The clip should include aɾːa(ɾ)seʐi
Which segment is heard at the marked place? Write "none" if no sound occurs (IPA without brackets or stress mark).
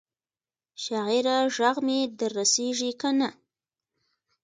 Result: none